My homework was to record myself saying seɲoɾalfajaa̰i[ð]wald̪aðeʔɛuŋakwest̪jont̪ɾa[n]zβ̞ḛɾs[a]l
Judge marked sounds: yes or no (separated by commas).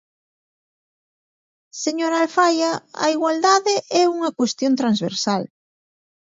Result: no, yes, yes